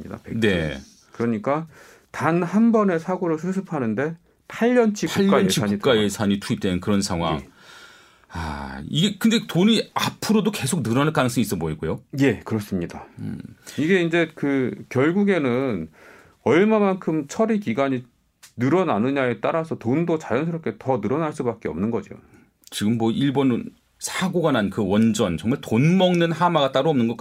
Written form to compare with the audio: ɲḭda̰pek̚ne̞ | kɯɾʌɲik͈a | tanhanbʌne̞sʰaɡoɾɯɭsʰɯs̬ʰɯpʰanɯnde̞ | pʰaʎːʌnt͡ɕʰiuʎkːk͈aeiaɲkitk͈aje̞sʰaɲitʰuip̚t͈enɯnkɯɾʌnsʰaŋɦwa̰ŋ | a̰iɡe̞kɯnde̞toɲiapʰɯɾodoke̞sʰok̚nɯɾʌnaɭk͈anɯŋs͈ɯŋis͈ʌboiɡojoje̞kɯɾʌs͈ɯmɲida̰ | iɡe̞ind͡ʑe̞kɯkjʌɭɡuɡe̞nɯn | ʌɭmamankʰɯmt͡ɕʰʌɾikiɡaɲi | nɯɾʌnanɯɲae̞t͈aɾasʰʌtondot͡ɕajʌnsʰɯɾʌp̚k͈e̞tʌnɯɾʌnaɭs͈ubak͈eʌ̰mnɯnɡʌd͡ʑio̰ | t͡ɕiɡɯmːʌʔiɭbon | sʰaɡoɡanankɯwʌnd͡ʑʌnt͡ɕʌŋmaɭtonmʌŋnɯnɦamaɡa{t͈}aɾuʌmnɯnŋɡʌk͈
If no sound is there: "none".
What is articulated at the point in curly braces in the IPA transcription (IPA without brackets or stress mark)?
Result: t͈